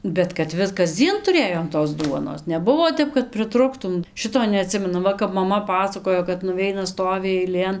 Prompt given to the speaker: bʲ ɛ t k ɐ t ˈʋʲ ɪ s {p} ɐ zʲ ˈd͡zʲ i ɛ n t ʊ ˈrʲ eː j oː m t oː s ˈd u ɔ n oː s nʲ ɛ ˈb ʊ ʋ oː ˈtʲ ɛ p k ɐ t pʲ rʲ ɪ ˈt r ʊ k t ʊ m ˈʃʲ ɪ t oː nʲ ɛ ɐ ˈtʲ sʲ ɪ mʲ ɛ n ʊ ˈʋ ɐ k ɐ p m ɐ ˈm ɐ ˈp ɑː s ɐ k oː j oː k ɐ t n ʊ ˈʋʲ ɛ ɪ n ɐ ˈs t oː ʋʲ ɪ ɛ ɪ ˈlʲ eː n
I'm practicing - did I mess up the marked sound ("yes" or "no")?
yes